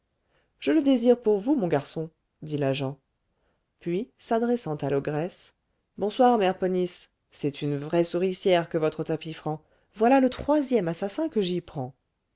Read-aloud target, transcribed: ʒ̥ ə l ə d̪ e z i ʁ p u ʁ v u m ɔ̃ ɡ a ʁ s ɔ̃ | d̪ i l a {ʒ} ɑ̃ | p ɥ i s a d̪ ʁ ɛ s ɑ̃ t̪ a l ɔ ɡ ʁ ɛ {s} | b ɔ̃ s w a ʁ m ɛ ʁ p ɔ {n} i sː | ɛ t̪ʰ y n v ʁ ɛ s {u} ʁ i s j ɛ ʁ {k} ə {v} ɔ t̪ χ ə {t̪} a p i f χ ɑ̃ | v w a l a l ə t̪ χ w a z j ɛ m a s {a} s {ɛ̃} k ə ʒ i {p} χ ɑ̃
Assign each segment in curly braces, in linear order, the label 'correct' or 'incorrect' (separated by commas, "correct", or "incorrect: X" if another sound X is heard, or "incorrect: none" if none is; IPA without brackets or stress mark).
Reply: correct, correct, correct, correct, correct, correct, correct, correct, correct, correct